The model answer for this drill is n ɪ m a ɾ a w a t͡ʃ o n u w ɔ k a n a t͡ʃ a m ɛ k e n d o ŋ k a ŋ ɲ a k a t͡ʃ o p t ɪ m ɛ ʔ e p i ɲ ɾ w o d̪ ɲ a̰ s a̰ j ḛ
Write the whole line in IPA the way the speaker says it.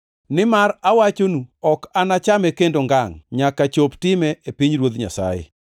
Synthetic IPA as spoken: n ɪ m a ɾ a w a t͡ʃ o n u ɔ k a n a t͡ʃ a m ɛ k e n d o ŋ ɡ a ŋ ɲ a k a t͡ʃ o p t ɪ m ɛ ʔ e p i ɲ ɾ w o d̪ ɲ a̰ s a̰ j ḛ